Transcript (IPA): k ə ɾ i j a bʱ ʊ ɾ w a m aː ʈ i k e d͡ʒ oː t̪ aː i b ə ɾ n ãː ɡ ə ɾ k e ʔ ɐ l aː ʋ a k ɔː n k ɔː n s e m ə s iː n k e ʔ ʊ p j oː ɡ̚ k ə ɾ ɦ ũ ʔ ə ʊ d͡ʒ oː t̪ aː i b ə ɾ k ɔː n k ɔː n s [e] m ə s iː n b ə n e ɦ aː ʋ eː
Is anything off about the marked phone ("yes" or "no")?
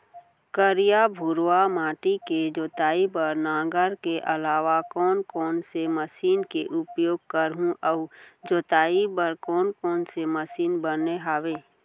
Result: no